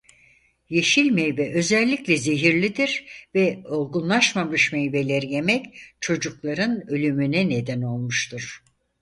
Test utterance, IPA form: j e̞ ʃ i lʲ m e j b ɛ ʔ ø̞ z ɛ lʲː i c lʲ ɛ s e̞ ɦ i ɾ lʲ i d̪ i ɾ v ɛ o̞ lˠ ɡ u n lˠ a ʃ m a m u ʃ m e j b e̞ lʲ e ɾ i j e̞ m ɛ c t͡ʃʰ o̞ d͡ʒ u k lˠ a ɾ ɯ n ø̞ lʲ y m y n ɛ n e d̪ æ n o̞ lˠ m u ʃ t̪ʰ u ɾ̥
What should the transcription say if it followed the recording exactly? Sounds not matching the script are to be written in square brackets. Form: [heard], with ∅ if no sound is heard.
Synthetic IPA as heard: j e̞ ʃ i lʲ m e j b ɛ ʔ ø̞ z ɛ lʲː i c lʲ ɛ [z] e̞ ɦ i ɾ lʲ i d̪ i ɾ v ɛ o̞ lˠ ɡ u n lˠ a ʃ m a m [ɯ] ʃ m e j b e̞ lʲ e ɾ i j e̞ m ɛ c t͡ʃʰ o̞ d͡ʒ u k lˠ a ɾ ɯ n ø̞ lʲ y m y n ɛ n e d̪ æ n o̞ lˠ m u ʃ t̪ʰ u ɾ̥